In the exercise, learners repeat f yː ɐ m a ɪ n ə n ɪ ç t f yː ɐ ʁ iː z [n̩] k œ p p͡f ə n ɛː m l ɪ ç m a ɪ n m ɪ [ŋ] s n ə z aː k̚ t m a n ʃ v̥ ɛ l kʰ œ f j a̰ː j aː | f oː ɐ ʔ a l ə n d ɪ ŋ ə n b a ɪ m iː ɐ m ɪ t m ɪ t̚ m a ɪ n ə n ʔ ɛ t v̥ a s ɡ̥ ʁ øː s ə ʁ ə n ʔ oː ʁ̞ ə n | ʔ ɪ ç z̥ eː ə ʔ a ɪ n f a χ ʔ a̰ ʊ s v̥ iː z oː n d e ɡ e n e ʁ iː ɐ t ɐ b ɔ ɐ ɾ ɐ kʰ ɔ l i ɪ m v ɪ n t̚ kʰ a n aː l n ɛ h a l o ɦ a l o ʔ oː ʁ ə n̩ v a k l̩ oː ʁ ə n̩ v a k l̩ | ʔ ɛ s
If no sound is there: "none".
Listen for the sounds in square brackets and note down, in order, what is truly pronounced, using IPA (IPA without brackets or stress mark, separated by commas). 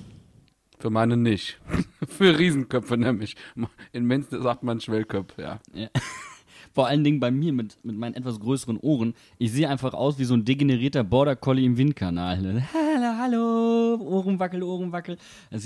n̩, n